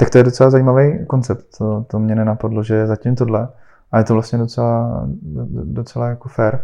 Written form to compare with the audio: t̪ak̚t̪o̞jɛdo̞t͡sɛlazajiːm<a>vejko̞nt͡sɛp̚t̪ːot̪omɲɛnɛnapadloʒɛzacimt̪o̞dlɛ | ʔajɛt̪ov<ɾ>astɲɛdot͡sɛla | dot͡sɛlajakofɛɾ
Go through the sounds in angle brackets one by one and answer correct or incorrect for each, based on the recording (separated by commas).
correct, incorrect